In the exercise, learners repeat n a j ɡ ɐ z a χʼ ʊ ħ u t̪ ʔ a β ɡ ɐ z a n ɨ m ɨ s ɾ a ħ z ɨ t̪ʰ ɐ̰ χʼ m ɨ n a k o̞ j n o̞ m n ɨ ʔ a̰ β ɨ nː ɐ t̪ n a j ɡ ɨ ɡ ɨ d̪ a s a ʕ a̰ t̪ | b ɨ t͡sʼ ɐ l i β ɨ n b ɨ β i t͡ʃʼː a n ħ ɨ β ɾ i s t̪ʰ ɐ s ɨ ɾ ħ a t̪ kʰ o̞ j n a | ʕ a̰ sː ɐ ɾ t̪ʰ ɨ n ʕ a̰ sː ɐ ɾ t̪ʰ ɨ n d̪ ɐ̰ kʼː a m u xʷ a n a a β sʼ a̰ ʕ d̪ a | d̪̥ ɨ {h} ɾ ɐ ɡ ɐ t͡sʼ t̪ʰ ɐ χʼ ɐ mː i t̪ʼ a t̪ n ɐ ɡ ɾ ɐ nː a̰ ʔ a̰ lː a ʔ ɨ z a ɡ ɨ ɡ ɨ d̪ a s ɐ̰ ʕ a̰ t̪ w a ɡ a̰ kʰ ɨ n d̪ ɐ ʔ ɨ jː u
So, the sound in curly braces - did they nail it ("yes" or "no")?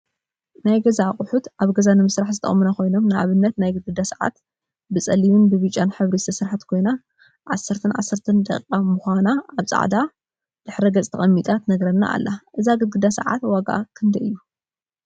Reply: no